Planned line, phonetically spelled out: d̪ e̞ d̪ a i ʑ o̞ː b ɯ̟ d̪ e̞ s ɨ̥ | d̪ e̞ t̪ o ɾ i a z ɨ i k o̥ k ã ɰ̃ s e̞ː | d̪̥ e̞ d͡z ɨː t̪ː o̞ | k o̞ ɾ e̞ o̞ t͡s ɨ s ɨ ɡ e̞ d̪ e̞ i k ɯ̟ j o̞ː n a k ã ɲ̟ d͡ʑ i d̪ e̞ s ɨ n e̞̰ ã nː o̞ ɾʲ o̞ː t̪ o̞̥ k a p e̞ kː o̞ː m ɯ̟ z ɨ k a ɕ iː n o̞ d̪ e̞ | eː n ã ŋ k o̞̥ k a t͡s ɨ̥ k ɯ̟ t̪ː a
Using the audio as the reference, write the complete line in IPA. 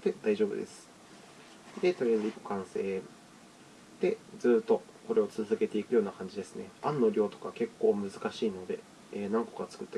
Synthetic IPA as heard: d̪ e̞ d̪ a i ʑ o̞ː b ɯ̟ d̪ e̞ s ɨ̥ | d̪ e̞ t̪ o ɾ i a z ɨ i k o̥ k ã ɰ̃ s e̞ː | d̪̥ e̞ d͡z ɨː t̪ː o̞ | k o̞ ɾ e̞ o̞ t͡s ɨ z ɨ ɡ e̞ t̪ e̞ i k ɯ̟ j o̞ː n a k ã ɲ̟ d͡ʑ i d̪ e̞ s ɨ n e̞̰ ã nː o̞ ɾʲ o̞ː t̪ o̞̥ k a k e̞ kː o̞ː m ɯ̟ z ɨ k a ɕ iː n o̞ d̪ e̞ | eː n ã ŋ k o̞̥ k a t͡s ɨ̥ k ɯ̟ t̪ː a